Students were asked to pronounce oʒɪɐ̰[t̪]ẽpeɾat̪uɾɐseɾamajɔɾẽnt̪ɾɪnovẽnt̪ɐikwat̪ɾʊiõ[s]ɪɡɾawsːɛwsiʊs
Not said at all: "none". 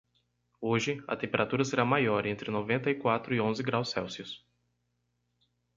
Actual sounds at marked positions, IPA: t̪, z

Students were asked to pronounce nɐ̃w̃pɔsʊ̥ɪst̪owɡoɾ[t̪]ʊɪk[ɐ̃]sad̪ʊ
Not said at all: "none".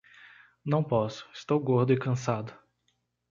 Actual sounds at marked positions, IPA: d̪, ɐ̃

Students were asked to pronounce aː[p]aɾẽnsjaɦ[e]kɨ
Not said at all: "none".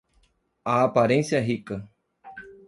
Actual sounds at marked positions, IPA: p, i

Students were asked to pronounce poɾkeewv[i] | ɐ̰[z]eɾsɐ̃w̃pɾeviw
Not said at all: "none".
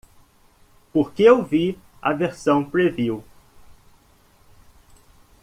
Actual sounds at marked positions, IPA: i, v

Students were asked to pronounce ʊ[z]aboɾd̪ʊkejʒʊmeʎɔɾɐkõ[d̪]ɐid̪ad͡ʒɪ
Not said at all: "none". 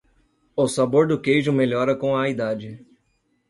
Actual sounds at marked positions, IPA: s, none

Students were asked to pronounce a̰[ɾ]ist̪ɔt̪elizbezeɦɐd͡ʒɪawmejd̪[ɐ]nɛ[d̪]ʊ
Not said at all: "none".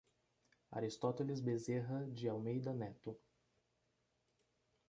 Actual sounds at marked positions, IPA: ɾ, ɐ, t̪

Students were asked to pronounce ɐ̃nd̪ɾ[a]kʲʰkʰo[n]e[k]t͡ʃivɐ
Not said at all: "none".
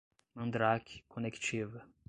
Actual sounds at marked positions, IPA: a, n, k

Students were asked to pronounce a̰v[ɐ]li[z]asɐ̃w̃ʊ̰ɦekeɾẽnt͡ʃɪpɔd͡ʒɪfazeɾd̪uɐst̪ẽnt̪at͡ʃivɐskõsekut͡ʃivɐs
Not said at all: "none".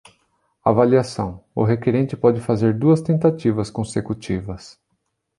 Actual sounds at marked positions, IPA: a, none

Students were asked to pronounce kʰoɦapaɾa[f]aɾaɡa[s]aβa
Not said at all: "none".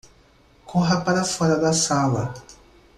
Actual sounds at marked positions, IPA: f, s

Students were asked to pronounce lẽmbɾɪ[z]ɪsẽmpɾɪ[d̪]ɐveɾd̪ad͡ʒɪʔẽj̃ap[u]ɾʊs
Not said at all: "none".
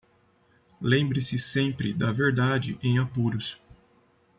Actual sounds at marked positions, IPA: s, d̪, u

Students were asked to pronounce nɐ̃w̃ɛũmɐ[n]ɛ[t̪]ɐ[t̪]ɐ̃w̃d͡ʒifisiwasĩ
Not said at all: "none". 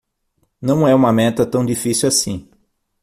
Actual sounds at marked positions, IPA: m, t̪, t̪

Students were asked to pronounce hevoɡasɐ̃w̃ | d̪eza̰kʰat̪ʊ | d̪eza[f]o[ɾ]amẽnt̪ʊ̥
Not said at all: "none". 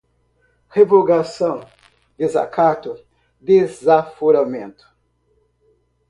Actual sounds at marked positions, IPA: f, ɾ

